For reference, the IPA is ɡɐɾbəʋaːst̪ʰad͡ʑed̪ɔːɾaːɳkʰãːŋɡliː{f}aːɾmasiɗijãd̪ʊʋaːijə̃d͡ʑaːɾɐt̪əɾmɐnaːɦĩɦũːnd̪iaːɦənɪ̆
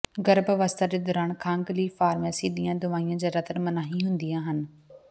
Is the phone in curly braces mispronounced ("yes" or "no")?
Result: no